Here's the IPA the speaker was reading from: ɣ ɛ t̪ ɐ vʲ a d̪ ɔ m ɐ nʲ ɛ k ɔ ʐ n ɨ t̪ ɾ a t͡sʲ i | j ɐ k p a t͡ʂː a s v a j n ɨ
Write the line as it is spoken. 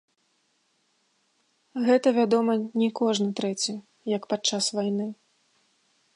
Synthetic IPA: ɣ ɛ t̪ ɐ vʲ a d̪ ɔ m ɐ nʲ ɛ k ɔ ʐ n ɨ t̪ ɾ ɛ t͡sʲ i | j ɐ k p a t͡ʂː a s v a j n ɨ